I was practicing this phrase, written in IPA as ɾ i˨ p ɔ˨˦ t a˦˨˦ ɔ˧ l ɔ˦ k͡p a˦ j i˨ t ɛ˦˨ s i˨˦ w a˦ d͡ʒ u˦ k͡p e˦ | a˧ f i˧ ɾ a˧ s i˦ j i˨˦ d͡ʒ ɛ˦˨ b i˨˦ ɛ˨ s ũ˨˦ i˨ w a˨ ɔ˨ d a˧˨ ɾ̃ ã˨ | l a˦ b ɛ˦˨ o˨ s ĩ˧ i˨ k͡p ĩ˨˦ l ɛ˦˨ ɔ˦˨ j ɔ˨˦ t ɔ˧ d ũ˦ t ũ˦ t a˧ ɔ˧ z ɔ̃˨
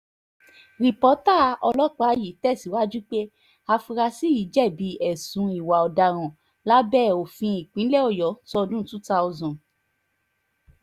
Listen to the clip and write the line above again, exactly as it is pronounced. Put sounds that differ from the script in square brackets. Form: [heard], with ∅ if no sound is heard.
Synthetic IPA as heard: ɾ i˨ p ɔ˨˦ t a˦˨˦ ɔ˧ l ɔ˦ k͡p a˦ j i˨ t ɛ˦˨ s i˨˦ w a˦ d͡ʒ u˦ k͡p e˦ | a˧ f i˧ ɾ a˧ s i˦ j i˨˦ d͡ʒ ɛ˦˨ b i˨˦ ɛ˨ s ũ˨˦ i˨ w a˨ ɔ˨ d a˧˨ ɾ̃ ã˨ | l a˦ b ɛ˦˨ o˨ [f] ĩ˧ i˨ k͡p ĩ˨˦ l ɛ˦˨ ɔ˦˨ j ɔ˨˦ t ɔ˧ d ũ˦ t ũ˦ t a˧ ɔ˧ z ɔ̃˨

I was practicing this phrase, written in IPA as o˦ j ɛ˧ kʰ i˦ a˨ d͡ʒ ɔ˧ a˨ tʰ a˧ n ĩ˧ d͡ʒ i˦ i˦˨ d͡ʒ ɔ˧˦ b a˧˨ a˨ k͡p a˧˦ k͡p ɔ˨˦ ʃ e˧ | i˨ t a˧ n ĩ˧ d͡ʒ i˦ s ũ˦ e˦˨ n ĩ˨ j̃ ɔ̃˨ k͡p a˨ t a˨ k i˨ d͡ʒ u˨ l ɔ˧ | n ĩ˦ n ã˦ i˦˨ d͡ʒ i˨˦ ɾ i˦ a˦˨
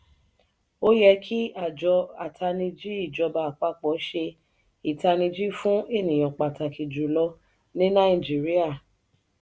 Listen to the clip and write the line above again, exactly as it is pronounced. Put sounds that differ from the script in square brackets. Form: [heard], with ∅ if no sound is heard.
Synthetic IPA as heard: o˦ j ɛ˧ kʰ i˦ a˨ d͡ʒ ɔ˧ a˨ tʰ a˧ n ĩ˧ d͡ʒ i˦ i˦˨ d͡ʒ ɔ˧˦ b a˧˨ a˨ k͡p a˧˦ k͡p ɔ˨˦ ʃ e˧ | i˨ t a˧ n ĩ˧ d͡ʒ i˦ [f] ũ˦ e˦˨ n ĩ˨ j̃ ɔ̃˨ k͡p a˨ t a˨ k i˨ d͡ʒ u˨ l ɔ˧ | n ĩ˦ n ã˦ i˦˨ d͡ʒ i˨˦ ɾ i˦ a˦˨

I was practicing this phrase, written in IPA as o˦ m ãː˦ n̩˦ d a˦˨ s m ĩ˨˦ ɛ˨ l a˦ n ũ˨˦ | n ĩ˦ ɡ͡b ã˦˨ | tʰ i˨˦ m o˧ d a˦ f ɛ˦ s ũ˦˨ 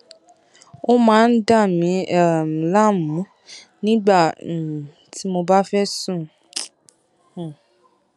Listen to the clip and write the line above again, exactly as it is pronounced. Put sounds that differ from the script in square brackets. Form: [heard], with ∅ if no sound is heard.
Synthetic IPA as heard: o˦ m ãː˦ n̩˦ d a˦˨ [∅] m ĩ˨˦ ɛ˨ l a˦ [m] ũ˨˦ | n ĩ˦ ɡ͡b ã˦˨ | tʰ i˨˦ m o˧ [b] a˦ f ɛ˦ s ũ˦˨

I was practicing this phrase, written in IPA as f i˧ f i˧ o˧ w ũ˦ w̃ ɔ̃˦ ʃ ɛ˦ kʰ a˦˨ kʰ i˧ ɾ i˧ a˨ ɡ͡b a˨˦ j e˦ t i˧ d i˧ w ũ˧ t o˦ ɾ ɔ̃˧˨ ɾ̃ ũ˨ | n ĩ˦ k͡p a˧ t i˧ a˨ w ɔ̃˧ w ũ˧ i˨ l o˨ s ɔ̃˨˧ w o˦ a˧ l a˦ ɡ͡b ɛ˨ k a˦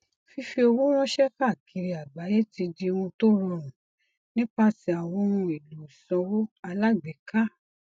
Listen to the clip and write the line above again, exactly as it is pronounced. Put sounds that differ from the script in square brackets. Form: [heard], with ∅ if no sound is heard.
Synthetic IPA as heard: f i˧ f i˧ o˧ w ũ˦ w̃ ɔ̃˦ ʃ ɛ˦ [k] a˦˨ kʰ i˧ ɾ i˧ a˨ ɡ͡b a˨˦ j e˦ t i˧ d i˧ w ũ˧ t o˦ ɾ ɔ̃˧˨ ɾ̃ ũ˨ | n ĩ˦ k͡p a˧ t i˧ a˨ w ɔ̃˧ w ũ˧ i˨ l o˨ s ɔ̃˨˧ w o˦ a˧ l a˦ ɡ͡b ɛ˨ k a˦

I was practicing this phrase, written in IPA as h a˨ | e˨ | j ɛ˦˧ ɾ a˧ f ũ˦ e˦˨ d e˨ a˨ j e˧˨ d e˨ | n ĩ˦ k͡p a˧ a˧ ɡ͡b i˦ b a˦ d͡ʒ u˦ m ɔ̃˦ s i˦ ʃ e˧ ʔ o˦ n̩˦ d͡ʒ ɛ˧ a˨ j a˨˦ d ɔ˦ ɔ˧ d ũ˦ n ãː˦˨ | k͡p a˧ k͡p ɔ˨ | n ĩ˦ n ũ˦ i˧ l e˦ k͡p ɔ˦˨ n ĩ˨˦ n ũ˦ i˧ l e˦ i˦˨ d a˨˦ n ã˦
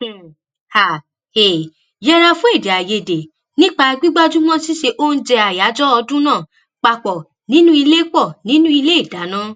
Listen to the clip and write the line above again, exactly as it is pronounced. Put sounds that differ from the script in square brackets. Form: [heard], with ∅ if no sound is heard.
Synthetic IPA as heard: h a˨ | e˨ | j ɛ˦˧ ɾ a˧ f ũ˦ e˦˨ d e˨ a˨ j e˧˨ d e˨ | n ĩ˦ k͡p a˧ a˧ ɡ͡b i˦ [ɡ͡b] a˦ d͡ʒ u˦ m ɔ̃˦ s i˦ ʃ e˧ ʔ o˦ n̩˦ d͡ʒ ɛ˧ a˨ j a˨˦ [d͡ʒ] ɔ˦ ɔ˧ d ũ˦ n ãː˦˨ | k͡p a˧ k͡p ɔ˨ | n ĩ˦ n ũ˦ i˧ l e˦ k͡p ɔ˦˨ n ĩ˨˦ n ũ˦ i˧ l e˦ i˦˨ d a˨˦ n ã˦

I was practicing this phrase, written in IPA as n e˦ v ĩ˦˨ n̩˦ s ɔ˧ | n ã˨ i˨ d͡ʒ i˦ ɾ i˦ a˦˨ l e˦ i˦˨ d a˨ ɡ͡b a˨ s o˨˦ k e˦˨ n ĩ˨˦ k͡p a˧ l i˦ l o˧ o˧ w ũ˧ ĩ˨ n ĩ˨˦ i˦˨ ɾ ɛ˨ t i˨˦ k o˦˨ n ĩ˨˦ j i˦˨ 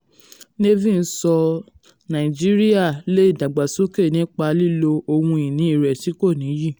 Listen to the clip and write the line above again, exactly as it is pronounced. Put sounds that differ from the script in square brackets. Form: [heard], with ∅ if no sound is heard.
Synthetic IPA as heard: n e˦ v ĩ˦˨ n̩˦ s ɔ˧ | n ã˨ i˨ d͡ʒ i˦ ɾ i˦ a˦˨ l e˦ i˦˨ d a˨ ɡ͡b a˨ s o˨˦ k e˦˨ n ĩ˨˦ k͡p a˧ l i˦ l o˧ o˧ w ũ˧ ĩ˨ n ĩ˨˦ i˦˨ ɾ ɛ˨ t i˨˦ k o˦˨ n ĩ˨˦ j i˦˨

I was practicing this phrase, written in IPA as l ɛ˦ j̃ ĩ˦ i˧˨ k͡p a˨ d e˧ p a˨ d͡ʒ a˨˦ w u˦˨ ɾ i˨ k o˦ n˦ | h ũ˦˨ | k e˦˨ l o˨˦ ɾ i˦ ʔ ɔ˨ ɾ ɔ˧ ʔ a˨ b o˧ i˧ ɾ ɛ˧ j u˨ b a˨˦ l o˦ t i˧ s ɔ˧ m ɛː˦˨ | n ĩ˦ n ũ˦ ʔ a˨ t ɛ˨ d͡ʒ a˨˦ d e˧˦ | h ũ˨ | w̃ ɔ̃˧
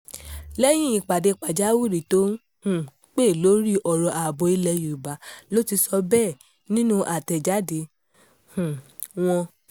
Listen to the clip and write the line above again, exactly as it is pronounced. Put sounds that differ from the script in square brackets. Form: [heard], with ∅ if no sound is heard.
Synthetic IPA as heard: l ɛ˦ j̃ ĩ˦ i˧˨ k͡p a˨ d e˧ [k͡p] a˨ d͡ʒ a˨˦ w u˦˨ ɾ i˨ [t] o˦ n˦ | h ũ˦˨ | [k͡p] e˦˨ l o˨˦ ɾ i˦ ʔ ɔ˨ ɾ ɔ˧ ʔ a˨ b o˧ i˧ [l] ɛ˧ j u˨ b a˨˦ l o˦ t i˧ s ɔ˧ [b] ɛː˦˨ | n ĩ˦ n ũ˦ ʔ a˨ t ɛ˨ d͡ʒ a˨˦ d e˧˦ | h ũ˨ | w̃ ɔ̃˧

